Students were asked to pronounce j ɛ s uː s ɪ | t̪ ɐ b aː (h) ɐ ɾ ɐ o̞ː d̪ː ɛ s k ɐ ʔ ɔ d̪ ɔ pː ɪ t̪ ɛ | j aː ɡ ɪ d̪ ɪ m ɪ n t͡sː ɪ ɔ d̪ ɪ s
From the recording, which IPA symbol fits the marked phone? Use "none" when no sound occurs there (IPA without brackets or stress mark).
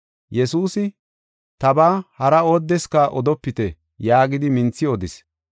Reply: h